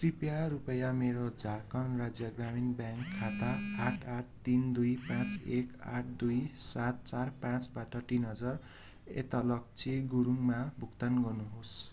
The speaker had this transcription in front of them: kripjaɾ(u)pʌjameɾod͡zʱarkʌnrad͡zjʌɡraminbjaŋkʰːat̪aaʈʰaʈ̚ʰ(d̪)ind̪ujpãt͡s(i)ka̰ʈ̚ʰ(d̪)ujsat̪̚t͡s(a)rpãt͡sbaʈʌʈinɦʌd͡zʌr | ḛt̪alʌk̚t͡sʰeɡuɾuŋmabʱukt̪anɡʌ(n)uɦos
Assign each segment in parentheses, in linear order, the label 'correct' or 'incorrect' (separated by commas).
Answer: correct, incorrect, incorrect, correct, correct, correct